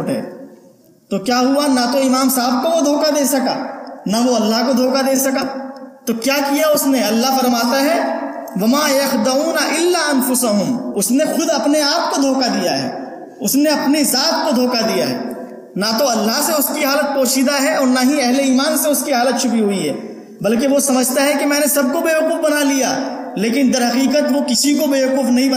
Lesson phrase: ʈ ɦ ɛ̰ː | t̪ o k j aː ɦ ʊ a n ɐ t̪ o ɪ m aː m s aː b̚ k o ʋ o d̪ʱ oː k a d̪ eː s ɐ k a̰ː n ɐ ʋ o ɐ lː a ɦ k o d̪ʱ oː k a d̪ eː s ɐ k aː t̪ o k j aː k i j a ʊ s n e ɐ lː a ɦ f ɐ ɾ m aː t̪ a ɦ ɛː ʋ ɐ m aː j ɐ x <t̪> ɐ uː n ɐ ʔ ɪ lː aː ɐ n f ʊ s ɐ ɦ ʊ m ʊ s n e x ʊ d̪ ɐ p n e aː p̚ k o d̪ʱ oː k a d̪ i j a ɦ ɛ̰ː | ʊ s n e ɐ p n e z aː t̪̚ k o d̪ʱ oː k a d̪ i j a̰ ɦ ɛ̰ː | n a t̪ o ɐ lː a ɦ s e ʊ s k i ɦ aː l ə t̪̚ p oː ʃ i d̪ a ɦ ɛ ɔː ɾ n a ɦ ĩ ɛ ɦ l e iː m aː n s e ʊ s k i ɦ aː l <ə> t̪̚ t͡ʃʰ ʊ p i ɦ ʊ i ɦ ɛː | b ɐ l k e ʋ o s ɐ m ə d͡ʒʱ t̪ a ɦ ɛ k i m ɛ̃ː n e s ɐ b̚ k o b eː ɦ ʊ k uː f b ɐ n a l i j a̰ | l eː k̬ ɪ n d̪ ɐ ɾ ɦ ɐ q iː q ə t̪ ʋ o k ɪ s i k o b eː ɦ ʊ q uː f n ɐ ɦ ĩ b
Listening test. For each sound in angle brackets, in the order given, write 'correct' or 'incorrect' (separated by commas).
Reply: incorrect, correct